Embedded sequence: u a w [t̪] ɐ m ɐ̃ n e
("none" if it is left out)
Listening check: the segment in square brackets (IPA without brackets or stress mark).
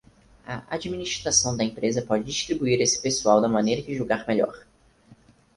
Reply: d̪